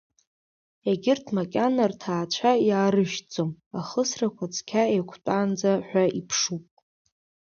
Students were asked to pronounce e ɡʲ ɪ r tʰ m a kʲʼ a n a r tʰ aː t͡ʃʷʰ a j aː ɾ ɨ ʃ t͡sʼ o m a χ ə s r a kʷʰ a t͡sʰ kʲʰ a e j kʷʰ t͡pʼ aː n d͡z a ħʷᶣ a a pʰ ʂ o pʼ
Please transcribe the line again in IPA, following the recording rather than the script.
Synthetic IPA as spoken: e ɡʲ ɪ r tʰ m a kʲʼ a n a r tʰ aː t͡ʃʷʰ a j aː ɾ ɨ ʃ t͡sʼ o m a χ ə s r a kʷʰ a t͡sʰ kʲʰ a e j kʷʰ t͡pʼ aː n d͡z a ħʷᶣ a i pʰ ʂ u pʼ

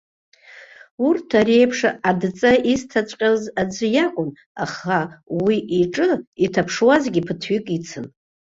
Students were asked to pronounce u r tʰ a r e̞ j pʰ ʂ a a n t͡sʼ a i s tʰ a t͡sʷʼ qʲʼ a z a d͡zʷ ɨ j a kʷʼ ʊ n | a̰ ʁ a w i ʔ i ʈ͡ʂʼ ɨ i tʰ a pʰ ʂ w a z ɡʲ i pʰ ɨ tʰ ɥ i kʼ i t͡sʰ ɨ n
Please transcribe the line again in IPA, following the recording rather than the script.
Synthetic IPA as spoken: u r tʰ a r e̞ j pʰ ʂ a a d t͡sʼ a i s tʰ a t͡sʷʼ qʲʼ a z a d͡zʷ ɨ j a kʷʼ ʊ n | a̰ χ a w i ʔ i ʈ͡ʂʼ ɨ i tʰ a pʰ ʂ w a z ɡʲ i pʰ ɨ tʰ ɥ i kʼ i t͡sʰ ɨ n

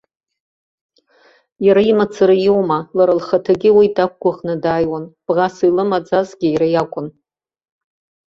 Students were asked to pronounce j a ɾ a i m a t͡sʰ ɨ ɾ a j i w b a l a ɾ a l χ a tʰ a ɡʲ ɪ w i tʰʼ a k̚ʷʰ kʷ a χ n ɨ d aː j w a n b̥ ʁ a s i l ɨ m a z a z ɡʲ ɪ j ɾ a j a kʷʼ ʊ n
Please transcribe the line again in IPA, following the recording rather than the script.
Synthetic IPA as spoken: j a ɾ a i m a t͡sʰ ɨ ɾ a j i w m a l a ɾ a l χ a tʰ a ɡʲ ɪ w i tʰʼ a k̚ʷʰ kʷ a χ n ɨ d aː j w a n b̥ ʁ a s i l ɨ m a d͡z a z ɡʲ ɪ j ɾ a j a kʷʼ ʊ n

